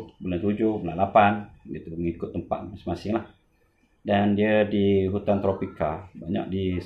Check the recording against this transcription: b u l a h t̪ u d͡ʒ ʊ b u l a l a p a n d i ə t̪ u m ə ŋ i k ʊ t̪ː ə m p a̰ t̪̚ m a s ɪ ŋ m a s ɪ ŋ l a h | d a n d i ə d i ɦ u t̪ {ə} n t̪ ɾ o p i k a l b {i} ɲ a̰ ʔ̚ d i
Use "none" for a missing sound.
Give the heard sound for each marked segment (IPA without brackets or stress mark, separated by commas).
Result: a, a